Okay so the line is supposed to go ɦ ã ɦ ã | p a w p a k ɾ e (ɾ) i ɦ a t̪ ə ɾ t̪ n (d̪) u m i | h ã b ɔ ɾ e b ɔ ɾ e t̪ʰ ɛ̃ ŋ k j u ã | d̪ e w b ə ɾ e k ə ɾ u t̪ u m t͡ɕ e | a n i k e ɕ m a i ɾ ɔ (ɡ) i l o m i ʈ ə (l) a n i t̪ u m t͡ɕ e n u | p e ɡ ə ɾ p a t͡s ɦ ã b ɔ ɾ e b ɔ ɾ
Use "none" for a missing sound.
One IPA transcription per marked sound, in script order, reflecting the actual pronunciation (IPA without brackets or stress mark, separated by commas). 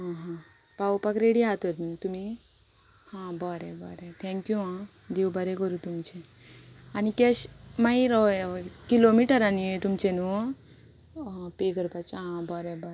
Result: ɽ, t̪, k, ɾ